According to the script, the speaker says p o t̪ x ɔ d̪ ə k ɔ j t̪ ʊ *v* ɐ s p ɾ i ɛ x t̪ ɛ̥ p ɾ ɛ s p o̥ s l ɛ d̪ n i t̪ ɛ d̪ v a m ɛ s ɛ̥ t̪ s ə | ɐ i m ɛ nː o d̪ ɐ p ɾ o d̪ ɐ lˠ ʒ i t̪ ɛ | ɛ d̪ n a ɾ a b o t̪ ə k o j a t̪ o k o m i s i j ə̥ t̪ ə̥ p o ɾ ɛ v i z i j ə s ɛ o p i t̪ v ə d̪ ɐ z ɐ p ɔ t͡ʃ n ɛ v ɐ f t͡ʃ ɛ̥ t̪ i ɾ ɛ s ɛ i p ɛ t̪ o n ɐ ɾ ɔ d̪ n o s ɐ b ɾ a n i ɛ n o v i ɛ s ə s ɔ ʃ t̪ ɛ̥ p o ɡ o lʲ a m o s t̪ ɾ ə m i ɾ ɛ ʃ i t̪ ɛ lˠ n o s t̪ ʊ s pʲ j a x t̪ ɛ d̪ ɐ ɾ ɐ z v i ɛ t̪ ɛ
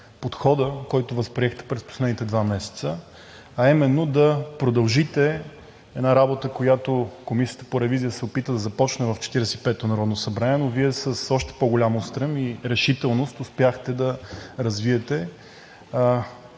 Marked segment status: correct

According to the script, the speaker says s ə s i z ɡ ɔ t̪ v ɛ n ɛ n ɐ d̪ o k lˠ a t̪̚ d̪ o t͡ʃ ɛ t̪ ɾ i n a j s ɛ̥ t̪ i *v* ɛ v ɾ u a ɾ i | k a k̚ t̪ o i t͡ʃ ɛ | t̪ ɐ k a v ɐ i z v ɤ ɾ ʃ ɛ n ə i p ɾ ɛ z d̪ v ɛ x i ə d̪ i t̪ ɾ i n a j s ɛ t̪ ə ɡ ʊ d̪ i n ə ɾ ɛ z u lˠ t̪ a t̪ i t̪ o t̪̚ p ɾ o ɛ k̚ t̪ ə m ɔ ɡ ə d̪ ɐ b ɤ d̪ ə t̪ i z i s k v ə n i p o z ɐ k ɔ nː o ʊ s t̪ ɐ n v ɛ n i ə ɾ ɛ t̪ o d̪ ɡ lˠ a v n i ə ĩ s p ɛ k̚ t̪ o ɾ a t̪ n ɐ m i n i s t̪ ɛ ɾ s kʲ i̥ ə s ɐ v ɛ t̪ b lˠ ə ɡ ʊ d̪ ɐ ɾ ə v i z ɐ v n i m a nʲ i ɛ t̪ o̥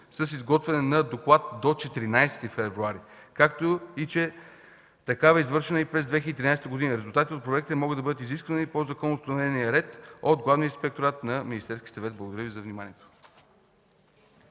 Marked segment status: incorrect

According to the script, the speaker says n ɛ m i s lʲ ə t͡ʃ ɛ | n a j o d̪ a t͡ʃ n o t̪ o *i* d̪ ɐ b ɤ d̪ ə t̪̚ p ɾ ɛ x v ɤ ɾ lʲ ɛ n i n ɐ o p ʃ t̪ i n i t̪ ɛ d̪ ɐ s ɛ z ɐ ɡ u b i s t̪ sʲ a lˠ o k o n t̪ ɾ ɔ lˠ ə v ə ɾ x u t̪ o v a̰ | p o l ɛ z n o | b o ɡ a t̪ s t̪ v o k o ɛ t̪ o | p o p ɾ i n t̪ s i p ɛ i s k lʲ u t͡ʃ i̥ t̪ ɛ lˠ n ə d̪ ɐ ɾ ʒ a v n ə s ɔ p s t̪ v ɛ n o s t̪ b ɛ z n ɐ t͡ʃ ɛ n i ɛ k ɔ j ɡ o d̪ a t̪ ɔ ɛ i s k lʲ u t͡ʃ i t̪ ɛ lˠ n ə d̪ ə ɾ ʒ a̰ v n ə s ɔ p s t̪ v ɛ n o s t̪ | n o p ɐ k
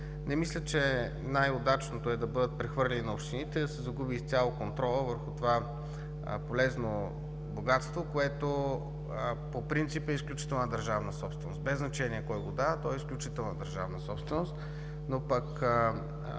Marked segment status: incorrect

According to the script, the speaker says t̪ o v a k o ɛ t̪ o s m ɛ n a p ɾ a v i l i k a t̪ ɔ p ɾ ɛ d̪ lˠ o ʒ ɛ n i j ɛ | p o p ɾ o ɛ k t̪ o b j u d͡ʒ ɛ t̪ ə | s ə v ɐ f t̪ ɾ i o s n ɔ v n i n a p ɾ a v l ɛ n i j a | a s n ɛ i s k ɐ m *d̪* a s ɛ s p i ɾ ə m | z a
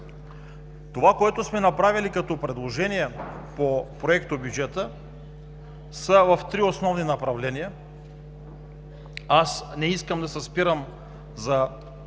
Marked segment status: correct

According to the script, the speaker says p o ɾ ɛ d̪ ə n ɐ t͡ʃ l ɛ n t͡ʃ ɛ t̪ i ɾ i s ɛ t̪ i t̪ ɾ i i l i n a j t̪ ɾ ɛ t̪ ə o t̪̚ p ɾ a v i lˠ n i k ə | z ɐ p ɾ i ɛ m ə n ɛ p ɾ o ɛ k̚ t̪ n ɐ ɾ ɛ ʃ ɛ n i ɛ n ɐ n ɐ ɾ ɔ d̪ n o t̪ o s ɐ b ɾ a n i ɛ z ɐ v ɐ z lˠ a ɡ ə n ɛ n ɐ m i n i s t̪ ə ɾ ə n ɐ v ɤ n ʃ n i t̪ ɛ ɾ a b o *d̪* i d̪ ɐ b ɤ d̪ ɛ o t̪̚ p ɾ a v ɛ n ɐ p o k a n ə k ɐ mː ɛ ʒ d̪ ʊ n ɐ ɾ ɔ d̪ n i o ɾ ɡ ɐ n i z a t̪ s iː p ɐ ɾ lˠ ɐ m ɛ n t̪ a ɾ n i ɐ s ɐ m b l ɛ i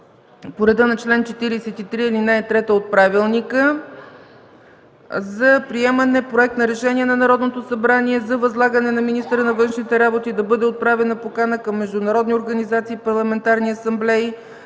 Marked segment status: incorrect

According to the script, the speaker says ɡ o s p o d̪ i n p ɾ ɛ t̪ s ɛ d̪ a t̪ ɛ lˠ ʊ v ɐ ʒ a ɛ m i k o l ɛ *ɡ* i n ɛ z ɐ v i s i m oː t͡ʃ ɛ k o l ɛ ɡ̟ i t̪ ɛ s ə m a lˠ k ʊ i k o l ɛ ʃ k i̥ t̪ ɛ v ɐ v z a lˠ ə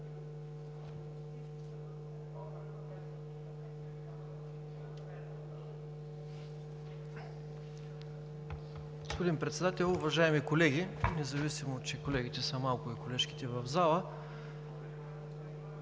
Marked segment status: correct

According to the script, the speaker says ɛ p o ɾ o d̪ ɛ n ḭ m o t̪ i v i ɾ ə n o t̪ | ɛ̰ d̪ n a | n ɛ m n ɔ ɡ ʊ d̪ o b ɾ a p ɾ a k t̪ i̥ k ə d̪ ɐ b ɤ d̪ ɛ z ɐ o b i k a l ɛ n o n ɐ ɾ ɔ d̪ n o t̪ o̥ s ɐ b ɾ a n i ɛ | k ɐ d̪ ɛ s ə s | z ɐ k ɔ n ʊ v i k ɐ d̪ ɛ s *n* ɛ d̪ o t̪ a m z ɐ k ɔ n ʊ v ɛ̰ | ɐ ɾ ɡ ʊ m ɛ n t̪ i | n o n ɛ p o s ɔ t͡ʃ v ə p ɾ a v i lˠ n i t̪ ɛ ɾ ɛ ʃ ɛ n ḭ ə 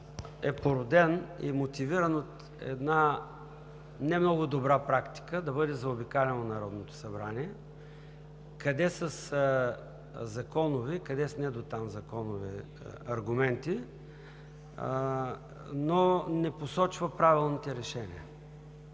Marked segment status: correct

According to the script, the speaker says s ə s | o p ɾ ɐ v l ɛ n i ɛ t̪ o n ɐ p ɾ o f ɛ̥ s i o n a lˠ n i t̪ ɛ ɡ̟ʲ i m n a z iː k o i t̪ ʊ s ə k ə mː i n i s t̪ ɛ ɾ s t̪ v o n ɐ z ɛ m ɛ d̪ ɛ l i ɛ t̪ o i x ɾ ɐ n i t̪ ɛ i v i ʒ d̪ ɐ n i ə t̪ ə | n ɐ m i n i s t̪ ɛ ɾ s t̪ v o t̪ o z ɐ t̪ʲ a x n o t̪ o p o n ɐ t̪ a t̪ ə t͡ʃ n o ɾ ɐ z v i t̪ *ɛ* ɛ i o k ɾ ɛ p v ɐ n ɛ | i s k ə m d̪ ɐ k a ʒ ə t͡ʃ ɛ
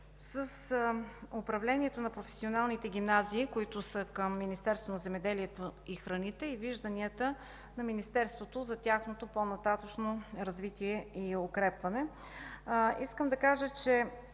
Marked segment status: incorrect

